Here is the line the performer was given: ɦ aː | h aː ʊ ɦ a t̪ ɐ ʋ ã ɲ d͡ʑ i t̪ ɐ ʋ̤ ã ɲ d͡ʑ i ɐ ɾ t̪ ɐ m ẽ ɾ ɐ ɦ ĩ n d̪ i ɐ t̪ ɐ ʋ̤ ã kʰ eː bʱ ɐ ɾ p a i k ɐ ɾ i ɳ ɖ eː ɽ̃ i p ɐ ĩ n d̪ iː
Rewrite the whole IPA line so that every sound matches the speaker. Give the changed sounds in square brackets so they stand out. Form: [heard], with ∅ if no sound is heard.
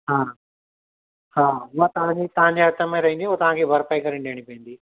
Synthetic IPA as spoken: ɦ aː | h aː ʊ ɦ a t̪ ɐ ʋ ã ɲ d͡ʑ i t̪ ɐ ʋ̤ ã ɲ d͡ʑ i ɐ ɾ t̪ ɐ m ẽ ɾ ɐ ɦ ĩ n d̪ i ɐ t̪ ɐ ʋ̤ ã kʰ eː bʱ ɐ ɾ p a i k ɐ ɾ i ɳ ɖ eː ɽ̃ i p ɐ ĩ n d̪ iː